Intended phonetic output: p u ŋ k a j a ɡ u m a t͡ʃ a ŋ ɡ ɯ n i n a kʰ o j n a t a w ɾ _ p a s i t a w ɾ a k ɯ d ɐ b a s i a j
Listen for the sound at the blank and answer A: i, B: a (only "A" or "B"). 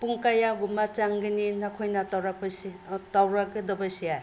B